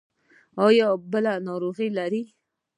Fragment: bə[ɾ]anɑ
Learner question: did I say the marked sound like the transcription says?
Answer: no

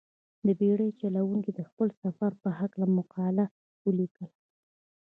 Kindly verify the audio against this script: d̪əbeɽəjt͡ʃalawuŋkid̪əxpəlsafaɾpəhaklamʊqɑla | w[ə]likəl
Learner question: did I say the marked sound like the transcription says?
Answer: yes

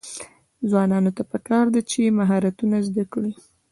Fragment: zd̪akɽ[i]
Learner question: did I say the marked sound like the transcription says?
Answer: yes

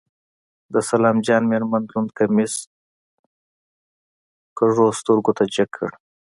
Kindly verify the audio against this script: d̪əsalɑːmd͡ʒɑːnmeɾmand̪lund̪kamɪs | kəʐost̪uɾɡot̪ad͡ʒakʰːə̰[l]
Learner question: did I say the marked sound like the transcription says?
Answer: no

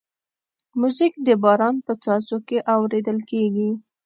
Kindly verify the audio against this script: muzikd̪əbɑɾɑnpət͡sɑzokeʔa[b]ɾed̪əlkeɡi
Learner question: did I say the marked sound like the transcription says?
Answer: no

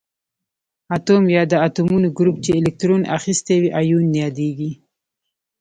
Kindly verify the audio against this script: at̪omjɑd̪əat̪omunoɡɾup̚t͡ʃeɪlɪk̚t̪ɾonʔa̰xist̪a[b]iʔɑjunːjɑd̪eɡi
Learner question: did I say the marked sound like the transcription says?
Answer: no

